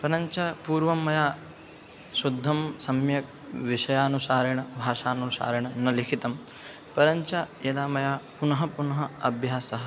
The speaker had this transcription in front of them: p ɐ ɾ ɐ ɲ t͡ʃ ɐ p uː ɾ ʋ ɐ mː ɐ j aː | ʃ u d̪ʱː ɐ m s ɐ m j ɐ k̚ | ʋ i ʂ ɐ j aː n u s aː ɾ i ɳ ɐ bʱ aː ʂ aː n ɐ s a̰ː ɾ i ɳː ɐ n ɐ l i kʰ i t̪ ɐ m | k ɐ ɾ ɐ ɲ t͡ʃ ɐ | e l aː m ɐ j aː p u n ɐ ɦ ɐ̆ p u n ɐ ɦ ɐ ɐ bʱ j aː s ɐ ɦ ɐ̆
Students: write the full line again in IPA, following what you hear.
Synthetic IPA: p ɐ ɾ ɐ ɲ t͡ʃ ɐ p uː ɾ ʋ ɐ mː ɐ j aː | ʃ u d̪ʱː ɐ m s ɐ m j ɐ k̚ | ʋ i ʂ ɐ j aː n u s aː ɾ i ɳ ɐ bʱ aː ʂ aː n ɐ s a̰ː ɾ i ɳ ɐ n ɐ l i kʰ i t̪ ɐ m | p ɐ ɾ ɐ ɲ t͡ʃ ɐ | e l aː m ɐ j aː p u n ɐ ɦ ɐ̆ p u n ɐ ɦ ɐ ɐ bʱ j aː s ɐ ɦ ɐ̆

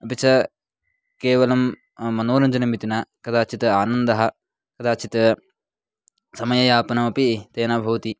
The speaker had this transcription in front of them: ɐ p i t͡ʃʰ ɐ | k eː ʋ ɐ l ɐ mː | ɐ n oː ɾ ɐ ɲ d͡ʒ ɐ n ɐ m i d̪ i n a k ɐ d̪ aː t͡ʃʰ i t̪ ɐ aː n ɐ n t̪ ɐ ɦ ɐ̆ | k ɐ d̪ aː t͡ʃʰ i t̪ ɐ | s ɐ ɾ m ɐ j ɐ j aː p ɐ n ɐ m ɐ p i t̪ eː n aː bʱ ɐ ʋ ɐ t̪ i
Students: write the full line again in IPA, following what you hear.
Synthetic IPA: ɐ p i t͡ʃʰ ɐ | k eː ʋ ɐ l ɐ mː | ɐ n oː ɾ ɐ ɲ d͡ʒ ɐ n ɐ m i t̪ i n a k ɐ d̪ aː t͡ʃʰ i t̪ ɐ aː n ɐ n d̪ ɐ ɦ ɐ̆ | k ɐ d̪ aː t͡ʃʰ i t̪ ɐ | s ɐ m ɐ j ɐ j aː p ɐ n ɐ m ɐ p i t̪ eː n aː bʱ ɐ ʋ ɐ t̪ i

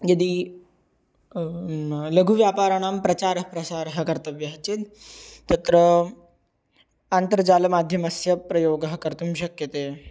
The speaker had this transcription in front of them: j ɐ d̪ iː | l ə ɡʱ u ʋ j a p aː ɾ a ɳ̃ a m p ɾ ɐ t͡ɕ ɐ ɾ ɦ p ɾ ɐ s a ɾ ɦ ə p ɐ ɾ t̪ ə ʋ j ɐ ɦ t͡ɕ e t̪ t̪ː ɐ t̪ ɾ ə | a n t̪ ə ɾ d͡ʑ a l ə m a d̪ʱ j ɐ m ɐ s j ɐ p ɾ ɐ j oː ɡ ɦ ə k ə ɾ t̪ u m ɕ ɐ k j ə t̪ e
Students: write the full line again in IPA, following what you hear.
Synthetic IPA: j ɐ d̪ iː | l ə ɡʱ u ʋ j a p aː ɾ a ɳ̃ a m p ɾ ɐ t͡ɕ a ɾ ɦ p ɾ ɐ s a ɾ ɦ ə k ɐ ɾ t̪ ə ʋ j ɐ ɦ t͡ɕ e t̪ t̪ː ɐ t̪ ɾ ə | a n t̪ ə ɾ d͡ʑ a l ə m a d̪ʱ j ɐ m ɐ s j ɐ p ɾ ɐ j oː ɡ ɦ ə k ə ɾ t̪ u m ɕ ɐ k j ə t̪ e

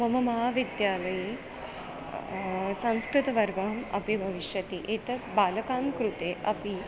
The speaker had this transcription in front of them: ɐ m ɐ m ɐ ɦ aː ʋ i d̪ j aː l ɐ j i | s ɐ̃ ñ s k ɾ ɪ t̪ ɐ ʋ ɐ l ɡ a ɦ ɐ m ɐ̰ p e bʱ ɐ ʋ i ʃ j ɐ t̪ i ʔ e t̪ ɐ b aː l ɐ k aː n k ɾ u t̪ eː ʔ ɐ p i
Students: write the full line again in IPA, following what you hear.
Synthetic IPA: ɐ m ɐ m ɐ ɦ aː ʋ i d̪ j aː l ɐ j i | s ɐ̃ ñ s k ɾ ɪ t̪ ɐ ʋ ɐ ɾ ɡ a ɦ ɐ m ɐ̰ p i bʱ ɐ ʋ i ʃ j ɐ t̪ i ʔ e t̪ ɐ b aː l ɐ k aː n k ɾ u t̪ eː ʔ ɐ p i

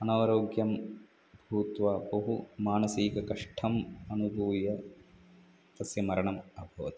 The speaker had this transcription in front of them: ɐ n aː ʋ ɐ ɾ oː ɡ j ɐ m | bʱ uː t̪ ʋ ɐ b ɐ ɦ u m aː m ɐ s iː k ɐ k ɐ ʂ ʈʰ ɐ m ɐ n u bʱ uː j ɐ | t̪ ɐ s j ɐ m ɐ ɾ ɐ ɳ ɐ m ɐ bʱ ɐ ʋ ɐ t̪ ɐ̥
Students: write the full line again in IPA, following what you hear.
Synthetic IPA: ɐ n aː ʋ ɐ ɾ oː ɡ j ɐ m | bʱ uː t̪ ʋ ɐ b ɐ ɦ u m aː n ɐ s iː k ɐ k ɐ ʂ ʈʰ ɐ m ɐ n u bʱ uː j ɐ | t̪ ɐ s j ɐ m ɐ ɾ ɐ ɳ ɐ m ɐ bʱ ɐ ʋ ɐ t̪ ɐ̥

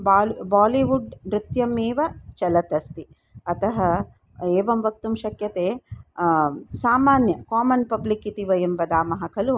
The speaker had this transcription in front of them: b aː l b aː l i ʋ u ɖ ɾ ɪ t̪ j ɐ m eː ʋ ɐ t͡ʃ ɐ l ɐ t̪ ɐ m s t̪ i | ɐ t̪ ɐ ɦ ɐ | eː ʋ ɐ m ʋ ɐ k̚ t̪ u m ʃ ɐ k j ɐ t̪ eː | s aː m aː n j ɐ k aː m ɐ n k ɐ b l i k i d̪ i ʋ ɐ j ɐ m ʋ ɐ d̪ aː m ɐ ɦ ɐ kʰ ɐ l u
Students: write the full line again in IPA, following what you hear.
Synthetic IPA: b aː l b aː l i ʋ u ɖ ɾ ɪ t̪ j ɐ m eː ʋ ɐ t͡ʃ ɐ l ɐ t̪ ɐ s t̪ i | ɐ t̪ ɐ ɦ ɐ | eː ʋ ɐ m ʋ ɐ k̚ t̪ u m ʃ ɐ k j ɐ t̪ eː | s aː m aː n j ɐ k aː m ɐ n p ɐ b l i k i t̪ i ʋ ɐ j ɐ m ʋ ɐ d̪ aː m ɐ ɦ ɐ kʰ ɐ l u

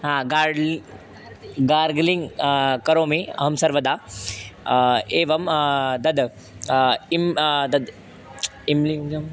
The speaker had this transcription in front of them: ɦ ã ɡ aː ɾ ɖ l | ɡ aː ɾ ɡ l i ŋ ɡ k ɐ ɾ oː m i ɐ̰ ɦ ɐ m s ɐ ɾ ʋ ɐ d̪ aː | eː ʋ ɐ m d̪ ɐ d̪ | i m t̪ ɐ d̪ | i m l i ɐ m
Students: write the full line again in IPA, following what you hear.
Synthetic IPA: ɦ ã ɡ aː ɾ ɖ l | ɡ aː ɾ ɡ l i ŋ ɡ k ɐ ɾ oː m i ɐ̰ ɦ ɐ m s ɐ ɾ ʋ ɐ d̪ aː | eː ʋ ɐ m d̪ ɐ d̪ | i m d̪ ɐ d̪ | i m l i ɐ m

